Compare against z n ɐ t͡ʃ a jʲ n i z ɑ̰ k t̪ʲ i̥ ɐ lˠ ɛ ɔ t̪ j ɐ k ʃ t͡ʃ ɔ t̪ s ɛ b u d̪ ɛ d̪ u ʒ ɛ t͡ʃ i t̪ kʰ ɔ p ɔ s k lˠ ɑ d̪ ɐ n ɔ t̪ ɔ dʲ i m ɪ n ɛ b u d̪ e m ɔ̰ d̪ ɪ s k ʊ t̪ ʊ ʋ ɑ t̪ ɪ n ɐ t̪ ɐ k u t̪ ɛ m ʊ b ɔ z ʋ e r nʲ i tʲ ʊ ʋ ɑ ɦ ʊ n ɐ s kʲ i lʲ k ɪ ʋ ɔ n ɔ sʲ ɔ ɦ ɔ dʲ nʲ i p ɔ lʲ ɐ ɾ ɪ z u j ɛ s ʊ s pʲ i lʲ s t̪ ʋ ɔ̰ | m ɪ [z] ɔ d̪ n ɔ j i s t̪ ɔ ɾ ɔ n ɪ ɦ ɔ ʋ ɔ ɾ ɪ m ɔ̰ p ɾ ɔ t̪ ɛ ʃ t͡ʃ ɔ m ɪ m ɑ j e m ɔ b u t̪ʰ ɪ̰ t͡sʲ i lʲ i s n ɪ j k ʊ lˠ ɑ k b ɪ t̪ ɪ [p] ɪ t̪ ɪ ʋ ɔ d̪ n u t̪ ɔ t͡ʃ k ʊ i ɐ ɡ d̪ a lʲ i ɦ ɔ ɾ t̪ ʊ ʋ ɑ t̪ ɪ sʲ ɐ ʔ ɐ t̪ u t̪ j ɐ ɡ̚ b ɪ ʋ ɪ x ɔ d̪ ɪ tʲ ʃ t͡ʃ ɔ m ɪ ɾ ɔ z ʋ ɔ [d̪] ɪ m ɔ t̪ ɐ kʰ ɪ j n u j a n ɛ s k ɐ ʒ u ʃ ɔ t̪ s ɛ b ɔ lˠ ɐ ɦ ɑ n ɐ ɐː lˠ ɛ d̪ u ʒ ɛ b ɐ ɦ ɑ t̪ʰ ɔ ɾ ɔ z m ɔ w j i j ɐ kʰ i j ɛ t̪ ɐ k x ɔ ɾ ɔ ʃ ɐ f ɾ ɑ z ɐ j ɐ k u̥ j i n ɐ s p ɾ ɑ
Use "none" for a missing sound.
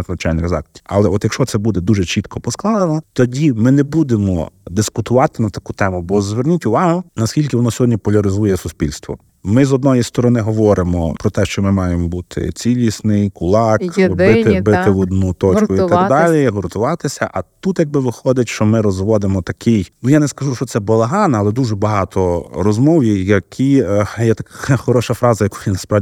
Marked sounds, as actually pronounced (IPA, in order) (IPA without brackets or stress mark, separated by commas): z, b, d̪